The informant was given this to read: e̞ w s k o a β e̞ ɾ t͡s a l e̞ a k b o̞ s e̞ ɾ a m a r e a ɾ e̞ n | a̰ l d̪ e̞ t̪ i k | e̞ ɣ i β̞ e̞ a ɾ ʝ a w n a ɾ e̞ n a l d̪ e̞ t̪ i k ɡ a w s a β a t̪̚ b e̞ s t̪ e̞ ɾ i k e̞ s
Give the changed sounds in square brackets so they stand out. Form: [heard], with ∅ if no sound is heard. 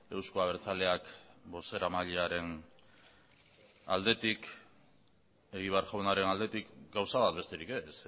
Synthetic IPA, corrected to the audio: e̞ w s k o a β e̞ ɾ t͡s a l e̞ a k b o̞ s e̞ ɾ a m a [ʎ] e a ɾ e̞ n | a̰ l d̪ e̞ t̪ i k | e̞ ɣ i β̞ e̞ a ɾ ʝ a w n a ɾ e̞ n a l d̪ e̞ t̪ i k ɡ a w s a β a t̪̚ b e̞ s t̪ e̞ ɾ i k e̞ s